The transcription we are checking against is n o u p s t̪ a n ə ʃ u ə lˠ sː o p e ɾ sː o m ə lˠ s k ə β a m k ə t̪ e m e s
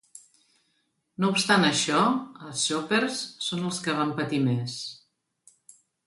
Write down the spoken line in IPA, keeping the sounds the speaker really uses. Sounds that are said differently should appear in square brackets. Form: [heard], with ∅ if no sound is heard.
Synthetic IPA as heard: n o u p s t̪ a n ə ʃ [ɔ] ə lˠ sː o p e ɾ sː o [n] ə lˠ s k ə β a m [p] ə t̪ [i] m e s